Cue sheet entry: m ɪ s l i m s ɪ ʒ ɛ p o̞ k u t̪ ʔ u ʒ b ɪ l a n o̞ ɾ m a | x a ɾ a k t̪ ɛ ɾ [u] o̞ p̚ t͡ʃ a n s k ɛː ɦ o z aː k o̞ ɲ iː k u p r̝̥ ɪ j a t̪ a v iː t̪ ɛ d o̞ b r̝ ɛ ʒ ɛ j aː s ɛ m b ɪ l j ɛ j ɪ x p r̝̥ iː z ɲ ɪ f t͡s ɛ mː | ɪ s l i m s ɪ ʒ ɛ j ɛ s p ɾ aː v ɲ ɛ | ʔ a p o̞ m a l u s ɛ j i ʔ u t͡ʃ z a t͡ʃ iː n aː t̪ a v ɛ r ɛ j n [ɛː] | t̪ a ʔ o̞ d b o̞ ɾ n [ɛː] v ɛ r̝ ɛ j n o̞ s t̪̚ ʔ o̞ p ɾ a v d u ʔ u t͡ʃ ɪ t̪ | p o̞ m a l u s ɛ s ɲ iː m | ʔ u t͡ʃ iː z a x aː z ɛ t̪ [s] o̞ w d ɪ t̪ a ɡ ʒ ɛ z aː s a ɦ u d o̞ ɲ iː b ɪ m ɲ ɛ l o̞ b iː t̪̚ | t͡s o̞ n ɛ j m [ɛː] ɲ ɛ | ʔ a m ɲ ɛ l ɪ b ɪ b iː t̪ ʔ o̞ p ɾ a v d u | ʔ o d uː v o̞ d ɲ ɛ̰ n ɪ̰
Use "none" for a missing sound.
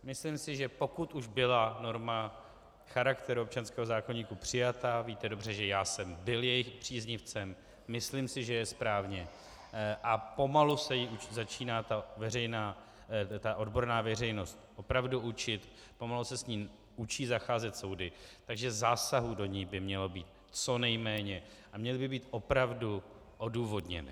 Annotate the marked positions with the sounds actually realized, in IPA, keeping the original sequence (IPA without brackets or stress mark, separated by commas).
u, aː, aː, s, ɛː